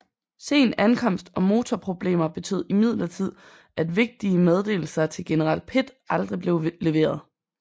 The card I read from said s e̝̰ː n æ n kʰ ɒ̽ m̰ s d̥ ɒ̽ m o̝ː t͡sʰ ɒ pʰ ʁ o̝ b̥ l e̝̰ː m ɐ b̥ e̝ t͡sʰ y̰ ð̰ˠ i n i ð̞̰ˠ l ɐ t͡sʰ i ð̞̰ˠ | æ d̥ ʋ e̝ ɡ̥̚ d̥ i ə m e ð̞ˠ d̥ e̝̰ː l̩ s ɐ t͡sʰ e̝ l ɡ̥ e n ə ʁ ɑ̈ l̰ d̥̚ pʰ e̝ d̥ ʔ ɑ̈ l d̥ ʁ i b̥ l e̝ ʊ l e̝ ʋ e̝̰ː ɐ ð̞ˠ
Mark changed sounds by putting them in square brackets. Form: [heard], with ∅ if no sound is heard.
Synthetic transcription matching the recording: s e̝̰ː n æ n kʰ ɒ̽ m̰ s d̥ ɒ̽ m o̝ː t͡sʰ ɒ pʰ ʁ o̝ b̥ l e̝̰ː m ɐ b̥ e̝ t͡sʰ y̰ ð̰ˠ i [m] i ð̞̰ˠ l ɐ t͡sʰ i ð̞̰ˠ | æ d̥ ʋ e̝ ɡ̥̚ d̥ i ə m e ð̞ˠ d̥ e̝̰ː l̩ s ɐ t͡sʰ e̝ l ɡ̥ e n ə ʁ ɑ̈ l̰ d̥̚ pʰ e̝ d̥ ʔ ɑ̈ l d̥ ʁ i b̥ l e̝ ʊ l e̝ ʋ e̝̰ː ɐ ð̞ˠ